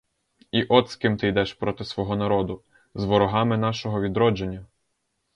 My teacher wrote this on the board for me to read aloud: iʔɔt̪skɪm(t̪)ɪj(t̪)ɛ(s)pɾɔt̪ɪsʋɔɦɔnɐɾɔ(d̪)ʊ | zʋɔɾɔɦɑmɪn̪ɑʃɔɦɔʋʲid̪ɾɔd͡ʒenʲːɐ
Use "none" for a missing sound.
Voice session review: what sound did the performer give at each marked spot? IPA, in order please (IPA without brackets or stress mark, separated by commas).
t̪, d̪, ʃ, d̪